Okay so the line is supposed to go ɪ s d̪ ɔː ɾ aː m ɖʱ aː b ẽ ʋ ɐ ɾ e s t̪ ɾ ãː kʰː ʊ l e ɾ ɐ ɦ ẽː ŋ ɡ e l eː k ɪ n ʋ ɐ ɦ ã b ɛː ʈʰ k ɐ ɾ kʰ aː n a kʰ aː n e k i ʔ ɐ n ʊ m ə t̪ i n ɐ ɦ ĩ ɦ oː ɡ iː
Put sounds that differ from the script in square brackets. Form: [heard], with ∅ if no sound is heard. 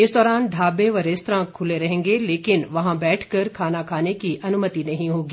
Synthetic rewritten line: ɪ s d̪ ɔː ɾ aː [n] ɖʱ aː b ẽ ʋ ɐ ɾ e s t̪ ɾ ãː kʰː ʊ l e ɾ ɐ ɦ ẽː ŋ ɡ e l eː k ɪ n ʋ ɐ ɦ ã b ɛː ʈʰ k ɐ ɾ kʰ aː n a kʰ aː n e k i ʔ ɐ n ʊ m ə t̪ i n ɐ ɦ ĩ ɦ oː ɡ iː